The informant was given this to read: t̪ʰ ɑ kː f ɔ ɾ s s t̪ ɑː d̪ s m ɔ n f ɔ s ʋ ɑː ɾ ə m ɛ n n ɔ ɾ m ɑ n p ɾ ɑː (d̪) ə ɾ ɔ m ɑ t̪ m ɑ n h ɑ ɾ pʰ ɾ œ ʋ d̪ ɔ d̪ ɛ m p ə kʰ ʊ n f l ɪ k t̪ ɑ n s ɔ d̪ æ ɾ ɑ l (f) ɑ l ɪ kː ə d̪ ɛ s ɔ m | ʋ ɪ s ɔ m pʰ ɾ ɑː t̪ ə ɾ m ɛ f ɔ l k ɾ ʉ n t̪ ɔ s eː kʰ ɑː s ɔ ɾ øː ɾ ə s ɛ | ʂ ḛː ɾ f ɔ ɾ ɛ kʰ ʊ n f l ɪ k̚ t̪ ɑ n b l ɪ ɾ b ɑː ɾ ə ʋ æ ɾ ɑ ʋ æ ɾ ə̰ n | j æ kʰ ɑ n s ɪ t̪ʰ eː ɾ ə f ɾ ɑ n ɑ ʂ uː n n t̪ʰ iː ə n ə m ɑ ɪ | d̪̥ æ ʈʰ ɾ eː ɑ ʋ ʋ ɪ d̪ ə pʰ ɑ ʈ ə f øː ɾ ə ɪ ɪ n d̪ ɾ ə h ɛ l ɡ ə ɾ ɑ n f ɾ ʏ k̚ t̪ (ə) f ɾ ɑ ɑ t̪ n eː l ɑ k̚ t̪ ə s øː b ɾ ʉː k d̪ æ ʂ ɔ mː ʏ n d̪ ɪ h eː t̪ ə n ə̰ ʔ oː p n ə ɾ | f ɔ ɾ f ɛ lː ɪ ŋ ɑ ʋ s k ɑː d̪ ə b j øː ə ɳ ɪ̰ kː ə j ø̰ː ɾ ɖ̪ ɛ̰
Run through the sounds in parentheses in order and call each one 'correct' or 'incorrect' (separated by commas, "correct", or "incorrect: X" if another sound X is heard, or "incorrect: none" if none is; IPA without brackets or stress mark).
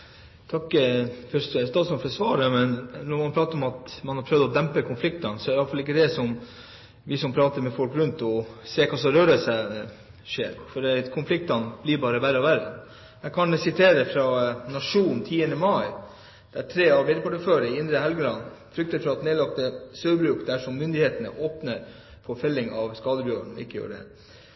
incorrect: t̪, correct, correct